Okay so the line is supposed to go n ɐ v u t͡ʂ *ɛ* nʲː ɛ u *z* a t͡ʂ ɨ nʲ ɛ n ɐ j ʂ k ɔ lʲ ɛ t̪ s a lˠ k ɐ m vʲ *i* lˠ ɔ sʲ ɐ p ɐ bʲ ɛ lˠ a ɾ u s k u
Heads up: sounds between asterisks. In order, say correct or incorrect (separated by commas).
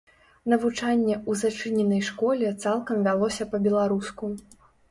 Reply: incorrect, correct, incorrect